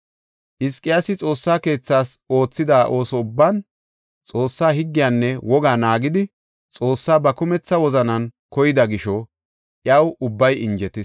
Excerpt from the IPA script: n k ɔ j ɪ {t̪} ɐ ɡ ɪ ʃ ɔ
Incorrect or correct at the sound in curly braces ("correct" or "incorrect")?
incorrect